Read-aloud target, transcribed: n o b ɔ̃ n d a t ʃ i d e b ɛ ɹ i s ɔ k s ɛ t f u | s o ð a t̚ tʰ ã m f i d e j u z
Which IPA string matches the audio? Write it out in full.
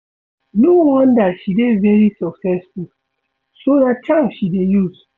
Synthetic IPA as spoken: n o w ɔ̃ n d a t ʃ i d e v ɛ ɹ i s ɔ k s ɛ s f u | s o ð a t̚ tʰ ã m ʃ i d e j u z